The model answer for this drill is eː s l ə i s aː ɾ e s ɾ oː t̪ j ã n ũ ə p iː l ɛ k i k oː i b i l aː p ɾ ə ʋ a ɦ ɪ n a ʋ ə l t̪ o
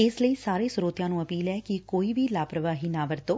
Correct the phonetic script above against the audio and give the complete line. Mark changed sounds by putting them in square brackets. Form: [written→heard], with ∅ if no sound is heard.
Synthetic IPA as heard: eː s l ə i s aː ɾ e s ɾ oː t̪ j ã n ũ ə p iː l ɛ k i k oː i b i l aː p ɾ ə ʋ a ɦ [ɪ→i] n a ʋ ə [l→ɾ] t̪ o